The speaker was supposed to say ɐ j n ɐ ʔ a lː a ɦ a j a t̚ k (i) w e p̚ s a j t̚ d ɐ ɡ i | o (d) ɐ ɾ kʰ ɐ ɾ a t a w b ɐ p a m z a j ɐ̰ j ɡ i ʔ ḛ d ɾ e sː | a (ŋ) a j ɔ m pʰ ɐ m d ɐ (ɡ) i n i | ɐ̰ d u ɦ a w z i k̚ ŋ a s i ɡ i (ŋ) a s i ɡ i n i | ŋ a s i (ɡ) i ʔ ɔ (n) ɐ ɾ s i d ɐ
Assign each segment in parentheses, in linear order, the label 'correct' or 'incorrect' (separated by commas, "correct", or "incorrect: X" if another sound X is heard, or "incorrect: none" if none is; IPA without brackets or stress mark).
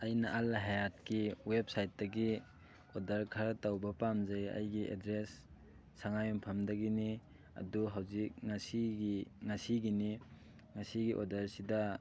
correct, correct, correct, correct, correct, correct, incorrect: d